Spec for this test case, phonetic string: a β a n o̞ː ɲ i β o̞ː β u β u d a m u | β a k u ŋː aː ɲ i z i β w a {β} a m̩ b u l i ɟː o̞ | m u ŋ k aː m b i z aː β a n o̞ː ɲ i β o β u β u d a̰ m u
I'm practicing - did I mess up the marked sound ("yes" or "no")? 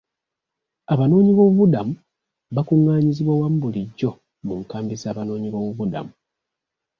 yes